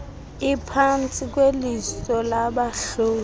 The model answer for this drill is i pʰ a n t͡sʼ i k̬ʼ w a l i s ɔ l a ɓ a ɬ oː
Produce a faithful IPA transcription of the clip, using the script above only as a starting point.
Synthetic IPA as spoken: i pʰ a n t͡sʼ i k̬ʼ w e l i s ɔ l a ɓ a ɬ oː